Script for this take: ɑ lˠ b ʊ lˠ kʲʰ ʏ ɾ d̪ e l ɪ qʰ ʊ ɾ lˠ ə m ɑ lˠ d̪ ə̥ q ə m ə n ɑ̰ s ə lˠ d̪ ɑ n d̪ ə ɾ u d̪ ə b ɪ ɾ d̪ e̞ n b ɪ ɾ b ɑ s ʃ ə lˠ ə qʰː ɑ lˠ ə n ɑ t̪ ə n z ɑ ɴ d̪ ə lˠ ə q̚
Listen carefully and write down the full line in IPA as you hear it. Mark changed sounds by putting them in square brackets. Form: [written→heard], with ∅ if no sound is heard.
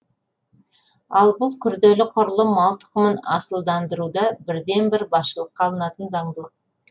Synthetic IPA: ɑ lˠ b ʊ lˠ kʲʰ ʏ ɾ d̪ e l ɪ qʰ ʊ ɾ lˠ ə m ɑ lˠ [d̪→t̪] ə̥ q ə m ə n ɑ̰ s ə lˠ d̪ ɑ n d̪ ə ɾ u d̪ [ə→ɑ] b ɪ ɾ d̪ e̞ n b ɪ ɾ b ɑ s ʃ ə lˠ ə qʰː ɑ lˠ ə n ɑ t̪ ə n z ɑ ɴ d̪ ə lˠ ə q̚